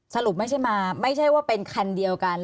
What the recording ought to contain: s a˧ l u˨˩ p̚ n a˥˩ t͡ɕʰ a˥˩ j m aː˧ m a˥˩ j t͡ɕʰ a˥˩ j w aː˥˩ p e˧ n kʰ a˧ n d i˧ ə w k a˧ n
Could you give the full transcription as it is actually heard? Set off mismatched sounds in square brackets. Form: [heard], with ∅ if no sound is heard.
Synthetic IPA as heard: s a˧ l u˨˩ p̚ [m] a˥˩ t͡ɕʰ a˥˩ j m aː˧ m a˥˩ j t͡ɕʰ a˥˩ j w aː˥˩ p e˧ n kʰ a˧ n d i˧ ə w k a˧ n